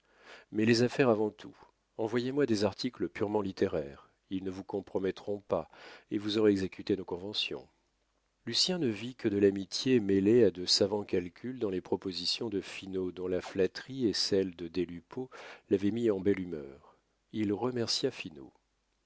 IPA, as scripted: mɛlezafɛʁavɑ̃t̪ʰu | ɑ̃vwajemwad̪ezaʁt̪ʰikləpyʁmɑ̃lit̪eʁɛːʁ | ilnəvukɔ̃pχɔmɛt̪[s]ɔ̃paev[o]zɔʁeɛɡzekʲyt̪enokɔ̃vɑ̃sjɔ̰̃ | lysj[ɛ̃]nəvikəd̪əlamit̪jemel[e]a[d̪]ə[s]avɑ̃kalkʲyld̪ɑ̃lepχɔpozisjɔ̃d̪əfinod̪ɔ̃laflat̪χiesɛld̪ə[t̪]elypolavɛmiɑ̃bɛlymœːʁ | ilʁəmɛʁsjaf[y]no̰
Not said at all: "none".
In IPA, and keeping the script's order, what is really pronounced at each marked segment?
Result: χ, u, ɛ̃, e, d̪, s, d̪, i

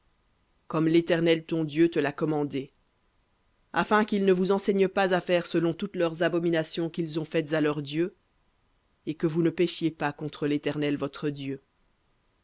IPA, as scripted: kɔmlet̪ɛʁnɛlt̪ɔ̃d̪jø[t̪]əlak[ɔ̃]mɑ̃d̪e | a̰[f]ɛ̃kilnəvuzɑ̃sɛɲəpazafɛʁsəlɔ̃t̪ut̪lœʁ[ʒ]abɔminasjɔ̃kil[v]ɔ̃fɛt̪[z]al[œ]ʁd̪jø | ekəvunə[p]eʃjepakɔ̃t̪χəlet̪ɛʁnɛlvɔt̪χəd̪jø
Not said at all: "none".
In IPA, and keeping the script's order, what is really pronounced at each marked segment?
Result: t̪, ɔ, f, z, z, z, œ, p

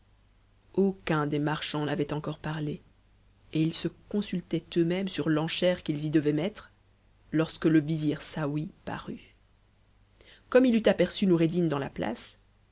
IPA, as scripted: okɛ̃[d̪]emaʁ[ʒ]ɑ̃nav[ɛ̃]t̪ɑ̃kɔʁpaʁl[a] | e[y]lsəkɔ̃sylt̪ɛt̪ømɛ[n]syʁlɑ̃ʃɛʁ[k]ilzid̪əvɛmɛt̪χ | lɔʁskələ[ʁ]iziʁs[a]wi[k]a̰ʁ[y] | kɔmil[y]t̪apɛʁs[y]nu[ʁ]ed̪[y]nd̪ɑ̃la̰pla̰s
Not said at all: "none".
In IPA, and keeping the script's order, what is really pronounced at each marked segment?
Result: d̪, ʃ, ɛ, e, i, m, k, v, a, p, y, y, y, ʁ, i

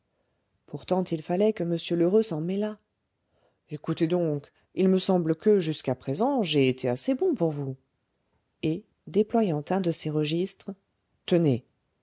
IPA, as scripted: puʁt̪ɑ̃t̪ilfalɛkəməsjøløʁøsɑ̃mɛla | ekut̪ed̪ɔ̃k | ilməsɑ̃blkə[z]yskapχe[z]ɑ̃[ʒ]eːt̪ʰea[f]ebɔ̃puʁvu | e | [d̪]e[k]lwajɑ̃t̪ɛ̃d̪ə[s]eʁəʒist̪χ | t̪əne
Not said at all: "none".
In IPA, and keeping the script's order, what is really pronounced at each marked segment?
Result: ʒ, z, ʒ, s, d̪, p, s

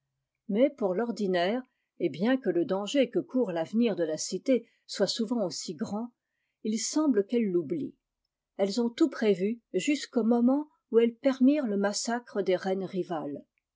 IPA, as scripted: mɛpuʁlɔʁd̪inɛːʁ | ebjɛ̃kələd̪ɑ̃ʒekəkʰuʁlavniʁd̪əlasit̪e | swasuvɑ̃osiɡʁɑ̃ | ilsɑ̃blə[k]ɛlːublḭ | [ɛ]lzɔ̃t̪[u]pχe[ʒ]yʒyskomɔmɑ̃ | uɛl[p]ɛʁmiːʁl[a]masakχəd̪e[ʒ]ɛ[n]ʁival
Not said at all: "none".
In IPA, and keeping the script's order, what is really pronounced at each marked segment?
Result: k, ɛ, u, v, p, ə, ʁ, n

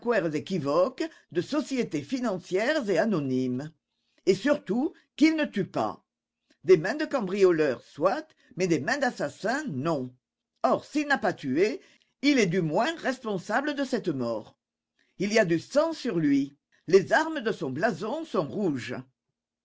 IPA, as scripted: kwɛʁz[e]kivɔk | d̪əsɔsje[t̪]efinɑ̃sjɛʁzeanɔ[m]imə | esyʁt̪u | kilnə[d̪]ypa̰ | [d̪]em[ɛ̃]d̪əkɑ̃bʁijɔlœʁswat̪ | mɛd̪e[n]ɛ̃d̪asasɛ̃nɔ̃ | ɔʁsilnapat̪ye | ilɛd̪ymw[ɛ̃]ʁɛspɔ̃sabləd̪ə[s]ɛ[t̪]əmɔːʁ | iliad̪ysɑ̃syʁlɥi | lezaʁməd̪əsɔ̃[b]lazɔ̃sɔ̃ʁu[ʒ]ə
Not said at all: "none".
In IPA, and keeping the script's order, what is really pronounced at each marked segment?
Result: e, t̪, n, t̪, d̪, ɛ̃, m, ɛ̃, s, t̪, b, ʒ

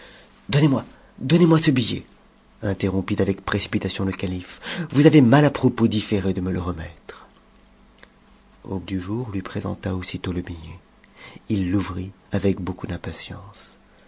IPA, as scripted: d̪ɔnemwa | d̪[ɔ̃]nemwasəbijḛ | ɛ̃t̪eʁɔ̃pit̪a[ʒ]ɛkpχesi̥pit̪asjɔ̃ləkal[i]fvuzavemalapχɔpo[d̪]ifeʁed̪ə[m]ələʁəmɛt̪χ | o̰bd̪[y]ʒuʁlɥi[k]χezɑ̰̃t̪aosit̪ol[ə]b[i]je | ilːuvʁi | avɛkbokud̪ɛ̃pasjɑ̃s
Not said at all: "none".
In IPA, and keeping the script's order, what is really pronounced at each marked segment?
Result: ɔ, v, i, d̪, m, y, p, ə, i

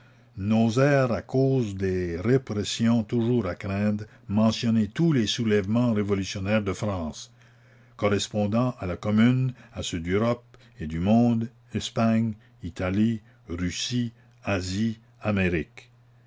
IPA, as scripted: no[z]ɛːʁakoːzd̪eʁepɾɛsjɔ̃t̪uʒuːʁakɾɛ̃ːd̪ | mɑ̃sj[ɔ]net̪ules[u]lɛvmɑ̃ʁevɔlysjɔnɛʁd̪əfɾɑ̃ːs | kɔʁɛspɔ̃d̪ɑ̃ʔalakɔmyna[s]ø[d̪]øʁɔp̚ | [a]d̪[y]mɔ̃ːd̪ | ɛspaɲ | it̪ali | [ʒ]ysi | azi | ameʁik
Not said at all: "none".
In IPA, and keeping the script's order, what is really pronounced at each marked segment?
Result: z, ɔ, u, s, d̪, e, y, ʁ

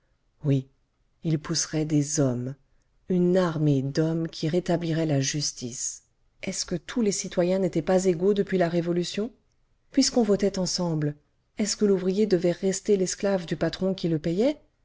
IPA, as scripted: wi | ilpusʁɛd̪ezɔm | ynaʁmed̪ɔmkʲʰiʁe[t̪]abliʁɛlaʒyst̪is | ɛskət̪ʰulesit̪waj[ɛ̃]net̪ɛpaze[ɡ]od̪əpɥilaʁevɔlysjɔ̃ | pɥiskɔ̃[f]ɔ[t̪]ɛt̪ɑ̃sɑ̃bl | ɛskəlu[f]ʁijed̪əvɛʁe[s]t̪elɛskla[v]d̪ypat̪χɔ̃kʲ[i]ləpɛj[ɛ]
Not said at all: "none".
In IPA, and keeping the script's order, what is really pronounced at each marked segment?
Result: t̪, ɛ̃, ɡ, v, t̪, v, s, v, i, ɛ

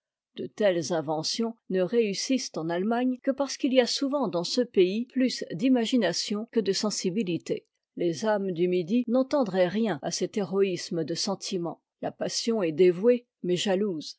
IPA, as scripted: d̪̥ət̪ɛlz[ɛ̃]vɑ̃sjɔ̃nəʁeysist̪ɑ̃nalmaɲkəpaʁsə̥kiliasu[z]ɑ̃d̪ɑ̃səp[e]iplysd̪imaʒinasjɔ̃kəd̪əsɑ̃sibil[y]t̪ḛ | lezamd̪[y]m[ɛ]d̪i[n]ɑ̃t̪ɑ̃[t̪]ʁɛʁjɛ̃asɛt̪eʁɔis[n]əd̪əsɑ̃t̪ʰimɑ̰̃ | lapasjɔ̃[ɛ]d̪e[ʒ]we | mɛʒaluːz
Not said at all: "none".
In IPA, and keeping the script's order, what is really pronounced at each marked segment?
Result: ɛ̃, v, e, i, y, i, n, d̪, m, ɛ, v

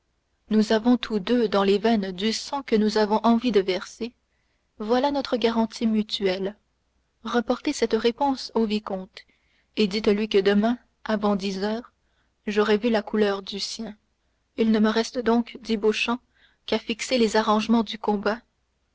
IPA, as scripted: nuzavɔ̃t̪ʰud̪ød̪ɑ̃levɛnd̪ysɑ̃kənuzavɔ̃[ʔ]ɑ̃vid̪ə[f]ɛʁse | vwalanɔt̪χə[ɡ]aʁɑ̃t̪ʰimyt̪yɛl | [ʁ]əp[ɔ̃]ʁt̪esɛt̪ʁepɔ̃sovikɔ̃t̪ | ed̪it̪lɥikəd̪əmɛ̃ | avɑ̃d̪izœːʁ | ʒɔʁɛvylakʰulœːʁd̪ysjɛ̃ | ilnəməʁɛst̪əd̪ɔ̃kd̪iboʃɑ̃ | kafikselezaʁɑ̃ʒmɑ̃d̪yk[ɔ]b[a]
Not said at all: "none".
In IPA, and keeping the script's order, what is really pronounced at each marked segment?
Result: ʔ, v, ɡ, ʁ, ɔ, ɔ̃, a

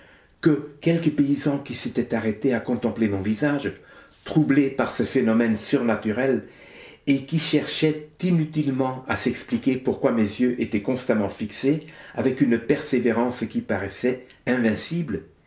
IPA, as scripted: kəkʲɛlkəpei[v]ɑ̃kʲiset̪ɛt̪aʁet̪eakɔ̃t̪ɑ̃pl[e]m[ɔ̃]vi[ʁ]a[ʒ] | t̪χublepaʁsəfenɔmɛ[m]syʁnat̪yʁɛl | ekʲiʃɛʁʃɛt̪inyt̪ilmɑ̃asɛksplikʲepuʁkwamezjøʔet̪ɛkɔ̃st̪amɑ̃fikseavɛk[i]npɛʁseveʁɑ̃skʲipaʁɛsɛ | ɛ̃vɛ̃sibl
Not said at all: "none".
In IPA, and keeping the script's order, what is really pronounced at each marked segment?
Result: z, e, ɔ̃, z, ʒ, n, y

